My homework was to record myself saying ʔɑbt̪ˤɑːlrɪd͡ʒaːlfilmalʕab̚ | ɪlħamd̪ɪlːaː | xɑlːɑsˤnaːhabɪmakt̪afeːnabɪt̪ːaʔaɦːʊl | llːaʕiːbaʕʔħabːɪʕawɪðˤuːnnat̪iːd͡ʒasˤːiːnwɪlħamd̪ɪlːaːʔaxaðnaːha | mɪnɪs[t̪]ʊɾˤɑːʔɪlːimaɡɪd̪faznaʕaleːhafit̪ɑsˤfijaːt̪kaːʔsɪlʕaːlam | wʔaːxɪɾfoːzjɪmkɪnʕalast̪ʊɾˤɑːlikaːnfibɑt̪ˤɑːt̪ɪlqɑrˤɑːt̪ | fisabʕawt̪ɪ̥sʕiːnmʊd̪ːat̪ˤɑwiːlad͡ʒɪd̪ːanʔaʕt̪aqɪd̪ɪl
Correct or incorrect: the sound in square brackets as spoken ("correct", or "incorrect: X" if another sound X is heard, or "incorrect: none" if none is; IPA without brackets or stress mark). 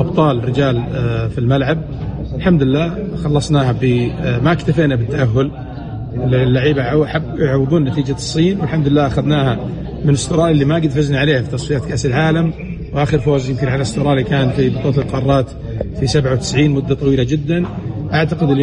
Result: correct